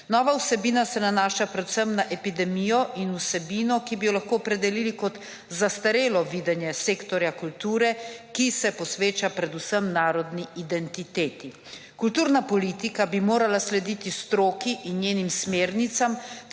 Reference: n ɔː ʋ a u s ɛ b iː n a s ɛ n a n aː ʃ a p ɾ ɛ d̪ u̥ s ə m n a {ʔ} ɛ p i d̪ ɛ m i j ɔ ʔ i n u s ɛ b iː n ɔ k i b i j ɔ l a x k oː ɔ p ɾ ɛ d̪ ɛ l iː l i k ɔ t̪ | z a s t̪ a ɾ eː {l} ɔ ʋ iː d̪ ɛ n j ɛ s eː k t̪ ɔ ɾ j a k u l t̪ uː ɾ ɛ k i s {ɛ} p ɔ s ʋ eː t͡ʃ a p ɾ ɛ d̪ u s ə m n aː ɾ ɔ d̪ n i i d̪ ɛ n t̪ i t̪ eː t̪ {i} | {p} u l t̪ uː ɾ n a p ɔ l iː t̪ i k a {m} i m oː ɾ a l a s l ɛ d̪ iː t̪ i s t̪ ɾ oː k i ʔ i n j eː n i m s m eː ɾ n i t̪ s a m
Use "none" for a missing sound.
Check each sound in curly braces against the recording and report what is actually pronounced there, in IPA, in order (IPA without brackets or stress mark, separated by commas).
ʔ, l, ɛ, i, k, b